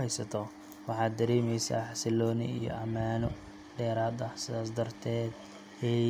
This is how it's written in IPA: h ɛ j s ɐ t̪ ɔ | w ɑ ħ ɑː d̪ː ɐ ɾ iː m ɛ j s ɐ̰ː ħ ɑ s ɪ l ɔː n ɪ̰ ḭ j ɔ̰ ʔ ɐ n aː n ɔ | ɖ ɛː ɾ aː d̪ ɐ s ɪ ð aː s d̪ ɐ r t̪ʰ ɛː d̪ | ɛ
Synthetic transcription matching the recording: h ɛ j s ɐ t̪ʰ ɔ | w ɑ ħ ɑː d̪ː ɐ ɾ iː m ɛ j s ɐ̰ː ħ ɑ s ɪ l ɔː n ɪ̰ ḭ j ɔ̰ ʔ ɐ m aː n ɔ | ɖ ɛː ɾ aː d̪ ɐ s ɪ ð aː s d̪ ɐ r t̪ʰ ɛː d̪ | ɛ